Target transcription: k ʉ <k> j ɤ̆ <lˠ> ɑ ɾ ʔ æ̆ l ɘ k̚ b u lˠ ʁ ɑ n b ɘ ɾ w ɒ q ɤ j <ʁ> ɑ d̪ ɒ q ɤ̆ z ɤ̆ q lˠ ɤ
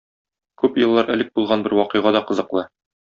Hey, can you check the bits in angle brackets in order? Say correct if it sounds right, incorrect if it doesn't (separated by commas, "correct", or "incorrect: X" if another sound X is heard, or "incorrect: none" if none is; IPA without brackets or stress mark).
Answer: incorrect: p, incorrect: lˠː, correct